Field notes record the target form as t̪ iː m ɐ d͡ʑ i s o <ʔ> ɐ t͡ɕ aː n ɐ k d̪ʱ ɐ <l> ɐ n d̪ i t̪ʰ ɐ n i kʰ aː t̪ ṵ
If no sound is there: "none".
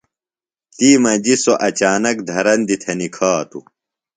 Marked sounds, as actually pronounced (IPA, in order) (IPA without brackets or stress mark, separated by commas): ʔ, ɾ